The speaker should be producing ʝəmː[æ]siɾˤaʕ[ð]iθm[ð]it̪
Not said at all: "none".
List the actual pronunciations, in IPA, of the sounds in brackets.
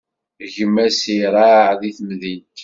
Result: æ, ð, ð

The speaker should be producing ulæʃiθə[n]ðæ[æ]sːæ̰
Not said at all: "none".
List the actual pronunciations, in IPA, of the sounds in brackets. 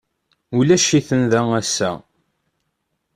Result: n, æ

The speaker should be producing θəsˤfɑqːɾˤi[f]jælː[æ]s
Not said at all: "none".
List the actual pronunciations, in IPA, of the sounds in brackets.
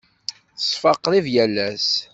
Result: v, æ

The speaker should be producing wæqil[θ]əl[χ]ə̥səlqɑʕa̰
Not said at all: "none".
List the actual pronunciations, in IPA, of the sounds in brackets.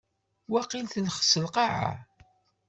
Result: θ, χ

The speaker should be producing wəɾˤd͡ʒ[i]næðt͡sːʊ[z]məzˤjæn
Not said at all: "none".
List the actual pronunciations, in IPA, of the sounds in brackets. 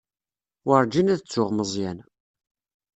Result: i, ʁ

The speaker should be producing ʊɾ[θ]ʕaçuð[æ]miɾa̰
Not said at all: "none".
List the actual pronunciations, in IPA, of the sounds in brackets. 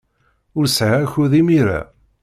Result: s, i

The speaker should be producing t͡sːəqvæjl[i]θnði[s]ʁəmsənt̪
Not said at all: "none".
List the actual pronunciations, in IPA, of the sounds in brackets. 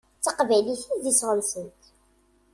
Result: i, s

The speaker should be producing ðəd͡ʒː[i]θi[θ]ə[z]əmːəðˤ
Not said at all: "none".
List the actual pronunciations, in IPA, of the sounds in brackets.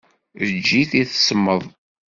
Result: i, θ, s

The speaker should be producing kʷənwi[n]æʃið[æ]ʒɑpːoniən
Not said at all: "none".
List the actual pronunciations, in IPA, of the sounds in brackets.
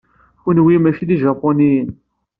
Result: m, i

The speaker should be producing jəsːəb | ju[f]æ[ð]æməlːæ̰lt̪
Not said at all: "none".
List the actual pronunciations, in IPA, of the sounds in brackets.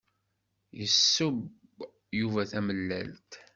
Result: v, θ

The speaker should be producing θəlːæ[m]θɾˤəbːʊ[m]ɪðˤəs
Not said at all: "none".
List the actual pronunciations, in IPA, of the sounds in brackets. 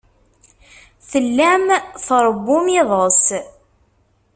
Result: m, m

